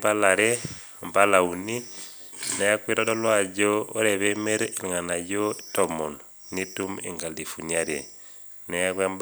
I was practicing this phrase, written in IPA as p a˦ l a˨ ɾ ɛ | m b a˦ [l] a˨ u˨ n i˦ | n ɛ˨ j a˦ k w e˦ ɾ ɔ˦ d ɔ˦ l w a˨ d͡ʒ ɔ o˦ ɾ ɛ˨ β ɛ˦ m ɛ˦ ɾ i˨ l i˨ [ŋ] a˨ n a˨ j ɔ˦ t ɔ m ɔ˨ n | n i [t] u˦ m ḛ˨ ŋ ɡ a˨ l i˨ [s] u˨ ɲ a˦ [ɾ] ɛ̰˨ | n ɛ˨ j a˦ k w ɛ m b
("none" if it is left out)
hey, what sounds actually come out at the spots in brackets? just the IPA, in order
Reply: l, ŋ, t, f, ɾ

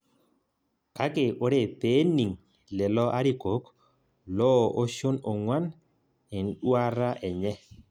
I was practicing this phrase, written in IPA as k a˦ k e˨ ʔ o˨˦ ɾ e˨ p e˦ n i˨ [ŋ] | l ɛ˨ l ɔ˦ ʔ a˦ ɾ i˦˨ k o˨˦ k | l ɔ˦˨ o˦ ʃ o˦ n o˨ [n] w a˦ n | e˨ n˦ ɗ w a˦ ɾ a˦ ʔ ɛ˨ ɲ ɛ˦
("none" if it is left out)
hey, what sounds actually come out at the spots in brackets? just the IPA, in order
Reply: ŋ, ŋ

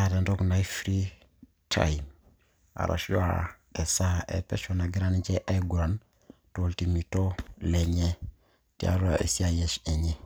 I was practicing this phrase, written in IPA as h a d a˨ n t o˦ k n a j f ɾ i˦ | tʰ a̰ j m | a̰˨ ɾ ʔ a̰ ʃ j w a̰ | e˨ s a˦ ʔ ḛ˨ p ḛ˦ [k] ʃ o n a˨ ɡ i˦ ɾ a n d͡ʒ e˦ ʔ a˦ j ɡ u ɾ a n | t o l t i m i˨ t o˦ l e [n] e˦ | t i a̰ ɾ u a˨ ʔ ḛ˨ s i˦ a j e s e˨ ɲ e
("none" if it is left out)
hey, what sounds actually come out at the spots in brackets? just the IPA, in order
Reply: none, ɲ

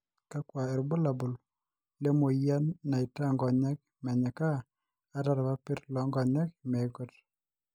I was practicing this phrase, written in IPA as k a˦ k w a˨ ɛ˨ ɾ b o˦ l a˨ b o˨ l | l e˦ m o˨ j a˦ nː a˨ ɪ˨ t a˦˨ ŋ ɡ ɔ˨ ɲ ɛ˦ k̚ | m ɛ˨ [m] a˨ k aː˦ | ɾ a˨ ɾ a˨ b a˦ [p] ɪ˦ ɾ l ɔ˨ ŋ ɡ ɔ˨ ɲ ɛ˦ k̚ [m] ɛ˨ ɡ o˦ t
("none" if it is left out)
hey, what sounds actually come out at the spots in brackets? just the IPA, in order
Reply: ɲ, p, m

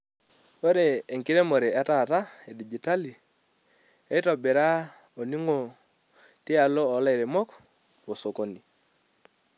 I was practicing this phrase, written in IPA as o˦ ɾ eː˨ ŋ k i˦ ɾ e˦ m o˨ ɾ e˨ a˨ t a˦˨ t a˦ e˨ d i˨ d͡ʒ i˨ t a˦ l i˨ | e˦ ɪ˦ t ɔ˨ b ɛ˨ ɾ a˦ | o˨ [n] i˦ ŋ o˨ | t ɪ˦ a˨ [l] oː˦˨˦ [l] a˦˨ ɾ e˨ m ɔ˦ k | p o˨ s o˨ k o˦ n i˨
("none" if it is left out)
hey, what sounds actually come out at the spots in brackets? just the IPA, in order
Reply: n, l, l

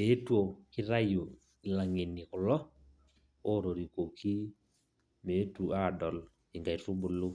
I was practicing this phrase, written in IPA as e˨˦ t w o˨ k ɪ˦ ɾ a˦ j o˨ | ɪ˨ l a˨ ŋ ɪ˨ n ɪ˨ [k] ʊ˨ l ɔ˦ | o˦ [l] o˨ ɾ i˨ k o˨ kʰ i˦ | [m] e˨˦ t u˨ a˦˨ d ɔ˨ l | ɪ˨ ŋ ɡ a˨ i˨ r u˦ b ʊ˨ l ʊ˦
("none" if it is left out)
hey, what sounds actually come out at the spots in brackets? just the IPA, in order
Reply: k, ɾ, m

